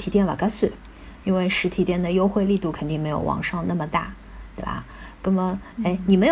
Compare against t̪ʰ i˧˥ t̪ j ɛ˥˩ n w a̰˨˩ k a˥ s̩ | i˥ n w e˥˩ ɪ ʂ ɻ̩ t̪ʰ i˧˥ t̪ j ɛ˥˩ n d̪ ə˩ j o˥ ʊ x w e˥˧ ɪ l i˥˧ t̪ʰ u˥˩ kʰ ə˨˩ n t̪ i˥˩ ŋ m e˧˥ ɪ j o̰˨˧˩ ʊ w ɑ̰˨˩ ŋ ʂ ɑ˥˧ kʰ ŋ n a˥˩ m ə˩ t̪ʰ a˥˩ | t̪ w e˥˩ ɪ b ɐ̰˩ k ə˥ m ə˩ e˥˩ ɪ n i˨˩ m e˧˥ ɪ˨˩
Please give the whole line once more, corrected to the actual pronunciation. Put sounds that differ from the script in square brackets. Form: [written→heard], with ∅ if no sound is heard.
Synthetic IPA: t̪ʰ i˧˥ t̪ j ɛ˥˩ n w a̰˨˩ k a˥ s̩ | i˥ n w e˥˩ ɪ ʂ ɻ̩ t̪ʰ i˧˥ t̪ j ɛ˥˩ n d̪ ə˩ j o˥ ʊ x w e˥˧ ɪ l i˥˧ [t̪ʰ→t̪] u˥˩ kʰ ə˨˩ n t̪ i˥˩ ŋ m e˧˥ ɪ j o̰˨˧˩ ʊ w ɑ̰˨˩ ŋ ʂ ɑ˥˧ [kʰ→∅] ŋ n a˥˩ m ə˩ [t̪ʰ→t̪] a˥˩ | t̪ w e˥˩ ɪ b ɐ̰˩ k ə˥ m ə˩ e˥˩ ɪ n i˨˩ m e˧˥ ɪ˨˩